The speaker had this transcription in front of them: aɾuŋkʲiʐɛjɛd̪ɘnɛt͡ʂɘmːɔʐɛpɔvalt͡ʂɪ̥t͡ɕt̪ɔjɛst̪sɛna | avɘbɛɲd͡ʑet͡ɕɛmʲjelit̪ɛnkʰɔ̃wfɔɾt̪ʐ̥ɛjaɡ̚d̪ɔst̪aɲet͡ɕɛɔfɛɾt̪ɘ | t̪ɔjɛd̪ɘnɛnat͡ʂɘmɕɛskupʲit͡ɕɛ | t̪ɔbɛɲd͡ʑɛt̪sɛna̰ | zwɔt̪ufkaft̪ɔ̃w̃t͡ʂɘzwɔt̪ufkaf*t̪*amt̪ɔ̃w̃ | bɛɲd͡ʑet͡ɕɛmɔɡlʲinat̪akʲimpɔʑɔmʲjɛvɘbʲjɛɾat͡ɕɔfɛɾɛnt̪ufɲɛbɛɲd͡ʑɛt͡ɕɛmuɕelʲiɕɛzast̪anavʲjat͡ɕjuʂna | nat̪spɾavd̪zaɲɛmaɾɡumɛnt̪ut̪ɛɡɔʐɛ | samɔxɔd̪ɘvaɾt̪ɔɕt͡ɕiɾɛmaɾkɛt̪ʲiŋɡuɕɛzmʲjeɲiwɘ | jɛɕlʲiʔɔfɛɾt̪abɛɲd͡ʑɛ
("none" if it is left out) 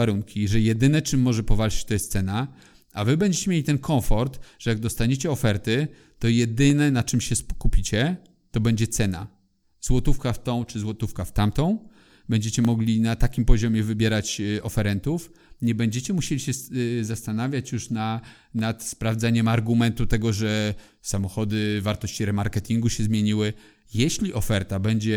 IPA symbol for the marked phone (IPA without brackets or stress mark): t̪